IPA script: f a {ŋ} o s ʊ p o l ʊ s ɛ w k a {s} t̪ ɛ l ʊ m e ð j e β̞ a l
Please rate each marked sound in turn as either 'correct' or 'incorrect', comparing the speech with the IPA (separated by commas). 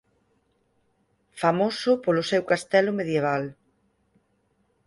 incorrect, correct